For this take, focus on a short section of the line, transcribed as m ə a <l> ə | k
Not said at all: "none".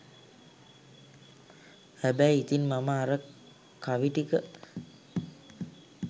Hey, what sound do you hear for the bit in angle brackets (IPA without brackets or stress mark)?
ɾ